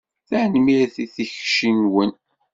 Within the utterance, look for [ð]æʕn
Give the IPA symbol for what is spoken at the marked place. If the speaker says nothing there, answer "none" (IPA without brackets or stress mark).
θ